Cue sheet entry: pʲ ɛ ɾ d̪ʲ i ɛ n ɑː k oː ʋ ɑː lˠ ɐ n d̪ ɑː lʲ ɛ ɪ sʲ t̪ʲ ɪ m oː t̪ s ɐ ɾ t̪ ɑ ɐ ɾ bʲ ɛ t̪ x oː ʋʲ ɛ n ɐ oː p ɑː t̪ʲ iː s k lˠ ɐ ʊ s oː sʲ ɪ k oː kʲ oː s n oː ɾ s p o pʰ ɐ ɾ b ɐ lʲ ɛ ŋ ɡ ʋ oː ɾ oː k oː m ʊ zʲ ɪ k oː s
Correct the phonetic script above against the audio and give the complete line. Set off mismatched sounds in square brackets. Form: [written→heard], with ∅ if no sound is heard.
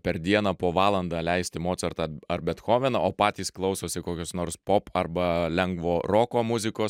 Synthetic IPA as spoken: pʲ ɛ ɾ d̪ʲ i ɛ n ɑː [k→p] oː ʋ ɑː lˠ ɐ n d̪ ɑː lʲ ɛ ɪ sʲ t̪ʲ ɪ m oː t̪ s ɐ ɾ t̪ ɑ ɐ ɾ bʲ ɛ t̪ x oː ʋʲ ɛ n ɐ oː p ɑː t̪ʲ iː s k lˠ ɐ ʊ s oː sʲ ɪ k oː kʲ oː s n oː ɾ s p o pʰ ɐ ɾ b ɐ lʲ ɛ ŋ ɡ ʋ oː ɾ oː k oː m ʊ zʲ ɪ k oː s